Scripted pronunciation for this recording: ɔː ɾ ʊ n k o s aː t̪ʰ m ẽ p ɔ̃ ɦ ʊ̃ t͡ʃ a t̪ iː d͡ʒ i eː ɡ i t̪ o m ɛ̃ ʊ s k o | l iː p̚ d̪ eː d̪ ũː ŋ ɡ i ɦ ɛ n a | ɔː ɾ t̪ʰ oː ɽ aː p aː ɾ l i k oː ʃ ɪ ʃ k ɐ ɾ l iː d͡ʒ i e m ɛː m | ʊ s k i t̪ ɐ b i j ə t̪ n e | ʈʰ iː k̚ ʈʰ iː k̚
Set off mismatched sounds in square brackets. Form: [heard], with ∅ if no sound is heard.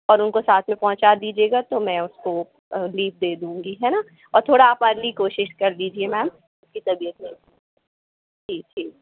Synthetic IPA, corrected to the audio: ɔː ɾ ʊ n k o s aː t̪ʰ m ẽ p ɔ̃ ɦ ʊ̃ t͡ʃ a [d̪] iː d͡ʒ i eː ɡ [a] t̪ o m ɛ̃ ʊ s k o | l iː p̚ d̪ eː d̪ ũː ŋ ɡ i ɦ ɛ n a | ɔː ɾ t̪ʰ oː ɽ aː p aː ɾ l i k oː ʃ ɪ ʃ k ɐ ɾ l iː d͡ʒ i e m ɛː m | ʊ s k i t̪ ɐ b i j ə t̪ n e | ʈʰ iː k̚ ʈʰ iː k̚